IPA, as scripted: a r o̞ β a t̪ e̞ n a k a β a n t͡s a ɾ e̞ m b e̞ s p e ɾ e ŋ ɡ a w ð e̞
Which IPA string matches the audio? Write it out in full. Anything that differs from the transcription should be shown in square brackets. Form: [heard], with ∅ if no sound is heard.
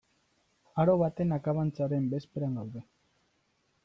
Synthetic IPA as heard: a [ɾ] o̞ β a t̪ e̞ n a k a β a n t͡s a ɾ e̞ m b e̞ s p e ɾ [a] ŋ ɡ a w ð e̞